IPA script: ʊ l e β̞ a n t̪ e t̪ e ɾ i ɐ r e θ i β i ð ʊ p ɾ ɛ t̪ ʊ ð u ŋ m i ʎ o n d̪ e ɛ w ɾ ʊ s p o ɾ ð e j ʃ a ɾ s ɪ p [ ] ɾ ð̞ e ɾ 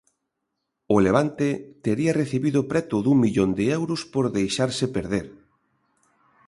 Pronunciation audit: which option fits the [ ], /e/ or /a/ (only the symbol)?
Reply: e